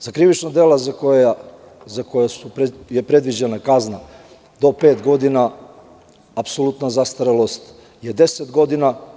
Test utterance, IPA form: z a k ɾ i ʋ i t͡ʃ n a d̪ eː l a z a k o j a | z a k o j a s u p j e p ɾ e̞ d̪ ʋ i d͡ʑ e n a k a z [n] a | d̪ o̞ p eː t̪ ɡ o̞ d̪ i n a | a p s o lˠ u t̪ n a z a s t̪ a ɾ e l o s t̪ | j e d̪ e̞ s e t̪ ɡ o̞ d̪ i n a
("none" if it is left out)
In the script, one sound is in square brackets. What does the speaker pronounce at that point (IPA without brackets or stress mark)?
n